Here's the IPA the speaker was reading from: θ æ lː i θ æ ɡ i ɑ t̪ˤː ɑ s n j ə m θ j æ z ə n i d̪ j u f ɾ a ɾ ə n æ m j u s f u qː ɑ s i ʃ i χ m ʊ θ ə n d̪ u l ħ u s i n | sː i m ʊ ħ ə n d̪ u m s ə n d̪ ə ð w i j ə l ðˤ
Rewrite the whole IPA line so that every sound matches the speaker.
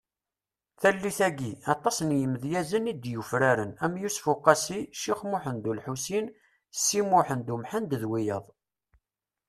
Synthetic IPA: θ æ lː i θ æ ɡ i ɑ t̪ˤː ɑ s n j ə m ð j æ z ə n i d̪ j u f ɾ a ɾ ə n æ m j u s f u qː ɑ s i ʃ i χ m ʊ ħ ə n d̪ u l ħ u s i n | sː i m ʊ ħ ə n d̪ u m ħ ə n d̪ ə ð w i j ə ðˤ

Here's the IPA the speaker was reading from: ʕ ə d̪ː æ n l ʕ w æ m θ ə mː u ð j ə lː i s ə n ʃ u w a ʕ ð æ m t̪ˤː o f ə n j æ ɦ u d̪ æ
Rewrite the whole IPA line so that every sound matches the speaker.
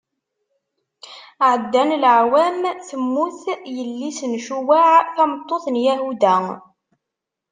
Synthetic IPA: ʕ ə d̪ː æ n l ʕ w æ m θ ə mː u θ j ə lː i s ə n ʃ u w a ʕ θ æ m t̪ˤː o θ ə n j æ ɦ u d̪ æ

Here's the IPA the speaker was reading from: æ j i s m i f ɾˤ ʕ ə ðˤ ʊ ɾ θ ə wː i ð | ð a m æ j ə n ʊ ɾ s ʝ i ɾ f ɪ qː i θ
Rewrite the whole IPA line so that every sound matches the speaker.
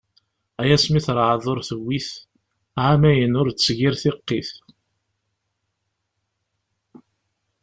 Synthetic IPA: æ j æ s m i θ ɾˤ ʕ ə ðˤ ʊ ɾ θ ə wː i θ | ʕ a m æ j ə n ʊ ɾ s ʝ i ɾ θ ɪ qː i θ

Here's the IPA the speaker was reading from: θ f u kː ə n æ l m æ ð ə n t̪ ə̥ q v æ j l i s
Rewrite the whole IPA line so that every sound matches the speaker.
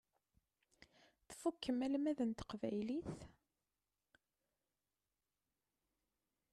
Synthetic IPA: θ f u kː ə m æ l m æ ð ə n t̪ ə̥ q v æ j l i θ

